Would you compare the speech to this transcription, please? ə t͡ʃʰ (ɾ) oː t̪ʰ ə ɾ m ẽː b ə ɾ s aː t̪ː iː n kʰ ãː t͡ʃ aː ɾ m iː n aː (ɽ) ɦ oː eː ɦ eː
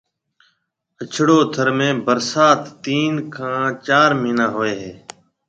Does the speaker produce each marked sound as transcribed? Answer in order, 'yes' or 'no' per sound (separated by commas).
no, no